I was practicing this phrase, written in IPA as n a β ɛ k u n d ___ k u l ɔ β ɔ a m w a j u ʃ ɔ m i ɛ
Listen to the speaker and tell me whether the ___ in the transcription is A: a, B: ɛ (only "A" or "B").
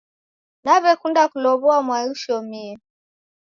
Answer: A